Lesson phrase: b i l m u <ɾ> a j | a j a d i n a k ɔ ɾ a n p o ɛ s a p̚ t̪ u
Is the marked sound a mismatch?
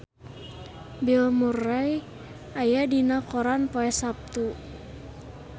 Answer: yes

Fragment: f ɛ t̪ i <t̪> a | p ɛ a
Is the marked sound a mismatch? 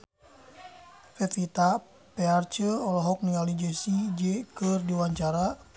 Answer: no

